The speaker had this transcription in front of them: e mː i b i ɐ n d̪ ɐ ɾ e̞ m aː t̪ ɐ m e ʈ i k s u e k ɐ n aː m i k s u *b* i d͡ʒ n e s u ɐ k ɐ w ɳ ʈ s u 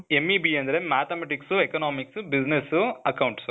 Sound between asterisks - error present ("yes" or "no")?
no